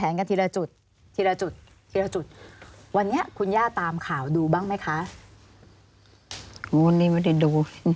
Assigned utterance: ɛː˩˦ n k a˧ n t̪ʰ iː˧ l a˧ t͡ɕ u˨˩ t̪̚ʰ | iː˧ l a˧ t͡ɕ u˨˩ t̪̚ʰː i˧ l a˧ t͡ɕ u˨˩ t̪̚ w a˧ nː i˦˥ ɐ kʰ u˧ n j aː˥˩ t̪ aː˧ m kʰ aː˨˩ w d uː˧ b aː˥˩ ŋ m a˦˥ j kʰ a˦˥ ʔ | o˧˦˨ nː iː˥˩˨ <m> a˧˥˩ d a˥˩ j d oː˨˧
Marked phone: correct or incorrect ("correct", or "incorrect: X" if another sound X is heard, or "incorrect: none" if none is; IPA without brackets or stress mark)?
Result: correct